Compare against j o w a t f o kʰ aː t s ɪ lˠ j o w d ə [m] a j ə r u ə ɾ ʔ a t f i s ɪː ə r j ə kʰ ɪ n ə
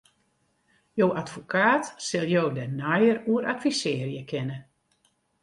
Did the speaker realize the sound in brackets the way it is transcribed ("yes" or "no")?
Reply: no